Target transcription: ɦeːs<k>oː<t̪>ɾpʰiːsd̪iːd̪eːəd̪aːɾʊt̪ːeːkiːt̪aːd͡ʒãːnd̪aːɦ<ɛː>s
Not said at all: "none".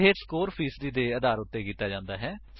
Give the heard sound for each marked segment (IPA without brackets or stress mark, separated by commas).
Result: k, none, ɛː